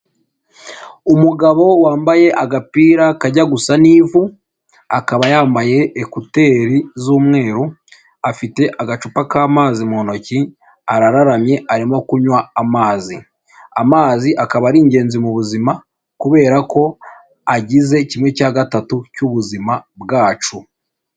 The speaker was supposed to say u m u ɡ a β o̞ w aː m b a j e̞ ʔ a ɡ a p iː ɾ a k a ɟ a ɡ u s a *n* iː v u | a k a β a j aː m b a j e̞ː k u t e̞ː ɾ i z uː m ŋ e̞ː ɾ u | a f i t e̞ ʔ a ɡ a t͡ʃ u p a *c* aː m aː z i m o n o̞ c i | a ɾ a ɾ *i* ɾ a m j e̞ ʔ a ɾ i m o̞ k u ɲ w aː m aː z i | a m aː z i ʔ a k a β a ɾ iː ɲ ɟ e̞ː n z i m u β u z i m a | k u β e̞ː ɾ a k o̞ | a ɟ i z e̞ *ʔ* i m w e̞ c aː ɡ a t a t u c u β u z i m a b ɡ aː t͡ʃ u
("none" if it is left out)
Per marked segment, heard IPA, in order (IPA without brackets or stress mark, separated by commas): n, k, a, c